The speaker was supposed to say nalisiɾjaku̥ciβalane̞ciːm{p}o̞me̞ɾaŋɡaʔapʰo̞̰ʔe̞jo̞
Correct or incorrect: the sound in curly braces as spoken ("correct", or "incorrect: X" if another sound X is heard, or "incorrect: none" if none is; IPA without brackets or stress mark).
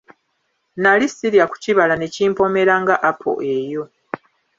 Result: correct